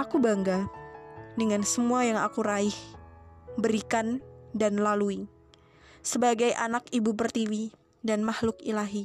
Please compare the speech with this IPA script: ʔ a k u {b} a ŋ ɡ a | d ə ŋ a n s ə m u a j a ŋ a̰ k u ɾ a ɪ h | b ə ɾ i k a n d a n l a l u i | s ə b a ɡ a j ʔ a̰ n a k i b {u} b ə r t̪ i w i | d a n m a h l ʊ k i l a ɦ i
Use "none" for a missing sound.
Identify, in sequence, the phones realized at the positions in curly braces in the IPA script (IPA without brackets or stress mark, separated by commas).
b, u